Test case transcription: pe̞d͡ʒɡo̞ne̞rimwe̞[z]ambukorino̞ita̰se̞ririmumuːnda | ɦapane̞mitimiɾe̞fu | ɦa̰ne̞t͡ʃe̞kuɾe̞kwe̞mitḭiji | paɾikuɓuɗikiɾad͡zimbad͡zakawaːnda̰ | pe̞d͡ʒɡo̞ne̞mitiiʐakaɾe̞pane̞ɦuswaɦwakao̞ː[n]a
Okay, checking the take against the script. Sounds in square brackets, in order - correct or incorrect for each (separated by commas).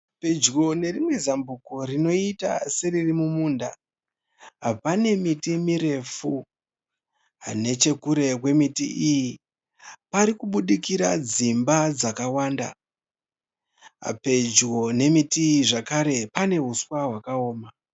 correct, incorrect